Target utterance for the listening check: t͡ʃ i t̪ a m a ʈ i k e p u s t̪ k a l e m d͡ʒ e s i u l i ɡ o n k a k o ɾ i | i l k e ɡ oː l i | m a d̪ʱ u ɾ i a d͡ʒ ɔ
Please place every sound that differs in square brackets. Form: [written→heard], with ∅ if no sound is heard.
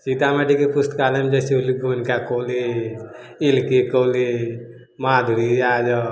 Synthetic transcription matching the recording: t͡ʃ i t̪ a m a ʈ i k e p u s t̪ k a l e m d͡ʒ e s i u l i ɡ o n k a k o [ɾ→l] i | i l k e [ɡ→k] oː l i | m a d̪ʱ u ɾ i a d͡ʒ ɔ